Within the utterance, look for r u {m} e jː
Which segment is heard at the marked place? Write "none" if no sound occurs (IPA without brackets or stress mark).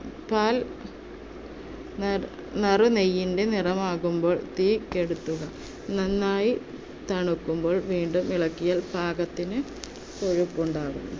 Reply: n